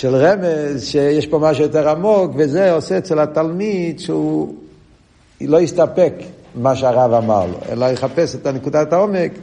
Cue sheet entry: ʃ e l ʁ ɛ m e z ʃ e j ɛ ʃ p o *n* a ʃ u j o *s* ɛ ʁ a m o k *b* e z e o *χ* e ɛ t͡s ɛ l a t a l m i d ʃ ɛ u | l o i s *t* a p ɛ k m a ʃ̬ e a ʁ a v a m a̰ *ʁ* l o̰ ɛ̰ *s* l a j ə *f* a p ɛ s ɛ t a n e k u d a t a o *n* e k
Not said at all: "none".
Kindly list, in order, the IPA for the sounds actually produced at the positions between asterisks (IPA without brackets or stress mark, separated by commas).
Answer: m, t, v, s, t, ʁ, none, χ, m